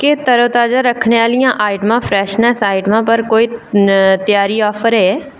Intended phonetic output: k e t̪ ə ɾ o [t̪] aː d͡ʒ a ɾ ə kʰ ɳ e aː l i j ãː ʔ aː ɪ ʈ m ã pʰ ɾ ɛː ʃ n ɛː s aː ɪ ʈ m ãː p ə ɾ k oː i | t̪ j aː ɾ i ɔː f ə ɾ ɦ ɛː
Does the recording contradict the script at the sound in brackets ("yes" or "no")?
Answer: no